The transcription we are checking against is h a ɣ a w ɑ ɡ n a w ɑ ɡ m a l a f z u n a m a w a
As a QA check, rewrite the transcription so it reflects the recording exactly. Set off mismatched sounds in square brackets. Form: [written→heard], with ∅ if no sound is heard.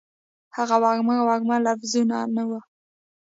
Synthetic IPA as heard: h a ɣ a w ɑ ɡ [n→m] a w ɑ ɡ m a l a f z u n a [m→n] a w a